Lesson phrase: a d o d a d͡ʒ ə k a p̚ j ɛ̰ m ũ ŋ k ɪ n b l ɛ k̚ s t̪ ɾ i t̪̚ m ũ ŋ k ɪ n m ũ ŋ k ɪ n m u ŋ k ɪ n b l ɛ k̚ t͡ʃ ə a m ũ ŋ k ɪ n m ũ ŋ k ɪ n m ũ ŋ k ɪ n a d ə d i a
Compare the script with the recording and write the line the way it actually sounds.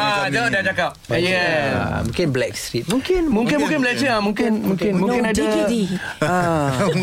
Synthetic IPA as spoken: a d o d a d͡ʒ a k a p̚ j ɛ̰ m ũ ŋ k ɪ n b l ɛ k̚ s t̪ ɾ i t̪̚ m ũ ŋ k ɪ n m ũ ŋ k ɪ n m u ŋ k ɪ n b l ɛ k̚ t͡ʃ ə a m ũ ŋ k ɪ n m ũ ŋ k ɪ n m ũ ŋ k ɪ n a d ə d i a